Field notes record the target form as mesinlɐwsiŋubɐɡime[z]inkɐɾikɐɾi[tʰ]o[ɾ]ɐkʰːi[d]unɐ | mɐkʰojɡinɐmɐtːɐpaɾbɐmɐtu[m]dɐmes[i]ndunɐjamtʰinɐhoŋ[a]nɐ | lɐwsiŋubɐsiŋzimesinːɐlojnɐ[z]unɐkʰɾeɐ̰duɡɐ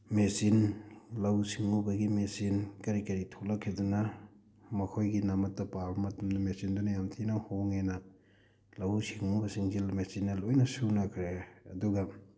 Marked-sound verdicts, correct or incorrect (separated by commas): incorrect, correct, incorrect, correct, correct, correct, incorrect, incorrect